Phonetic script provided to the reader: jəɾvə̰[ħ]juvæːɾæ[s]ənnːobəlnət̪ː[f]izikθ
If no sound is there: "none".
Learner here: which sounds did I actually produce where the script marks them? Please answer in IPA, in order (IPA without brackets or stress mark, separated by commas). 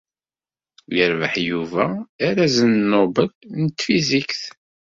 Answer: ħ, z, f